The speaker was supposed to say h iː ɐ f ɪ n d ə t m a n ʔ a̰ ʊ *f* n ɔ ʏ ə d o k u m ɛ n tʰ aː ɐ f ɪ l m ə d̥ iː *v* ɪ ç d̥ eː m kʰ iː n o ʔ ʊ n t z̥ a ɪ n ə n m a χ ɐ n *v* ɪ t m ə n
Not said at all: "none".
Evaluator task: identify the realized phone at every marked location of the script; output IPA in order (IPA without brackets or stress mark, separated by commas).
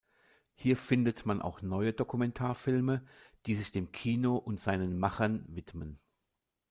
x, z, v